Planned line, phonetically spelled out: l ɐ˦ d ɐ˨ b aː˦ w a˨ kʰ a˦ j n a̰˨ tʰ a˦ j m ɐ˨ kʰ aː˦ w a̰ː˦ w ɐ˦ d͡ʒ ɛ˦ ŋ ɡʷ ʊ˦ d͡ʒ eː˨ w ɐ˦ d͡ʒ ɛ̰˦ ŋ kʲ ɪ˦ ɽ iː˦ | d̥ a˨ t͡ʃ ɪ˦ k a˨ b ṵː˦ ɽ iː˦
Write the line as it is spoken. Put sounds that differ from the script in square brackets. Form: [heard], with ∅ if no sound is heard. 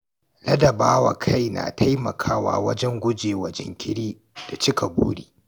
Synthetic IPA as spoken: l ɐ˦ d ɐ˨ b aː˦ w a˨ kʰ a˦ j n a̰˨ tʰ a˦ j m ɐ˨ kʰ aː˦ w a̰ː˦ w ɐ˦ d͡ʒ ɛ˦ ŋ ɡʷ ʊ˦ d͡ʒ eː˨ w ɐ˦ d͡ʒ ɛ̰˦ ŋ kʲ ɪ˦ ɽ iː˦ | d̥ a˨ t͡ʃ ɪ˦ k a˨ b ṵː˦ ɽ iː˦